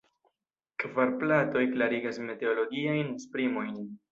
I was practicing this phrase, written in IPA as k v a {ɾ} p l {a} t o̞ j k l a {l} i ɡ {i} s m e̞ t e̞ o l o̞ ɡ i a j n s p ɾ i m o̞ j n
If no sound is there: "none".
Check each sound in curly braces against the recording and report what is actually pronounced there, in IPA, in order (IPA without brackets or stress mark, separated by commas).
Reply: ɾ, a, ɾ, a